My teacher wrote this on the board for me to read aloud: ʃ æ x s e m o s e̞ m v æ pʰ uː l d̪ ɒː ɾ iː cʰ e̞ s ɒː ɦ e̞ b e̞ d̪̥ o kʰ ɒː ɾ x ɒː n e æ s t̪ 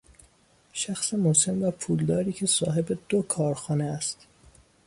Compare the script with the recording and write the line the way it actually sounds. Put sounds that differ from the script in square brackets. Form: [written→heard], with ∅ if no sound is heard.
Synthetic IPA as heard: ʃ æ x s e m o s e̞ m v æ pʰ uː l d̪ ɒː ɾ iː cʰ e̞ s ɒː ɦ e̞ b e̞ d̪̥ o kʰ ɒː ɾ x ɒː n e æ s t̪